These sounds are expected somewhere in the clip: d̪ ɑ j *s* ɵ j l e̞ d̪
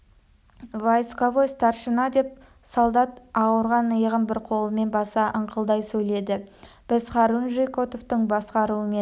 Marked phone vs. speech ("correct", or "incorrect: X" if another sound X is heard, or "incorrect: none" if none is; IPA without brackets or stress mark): correct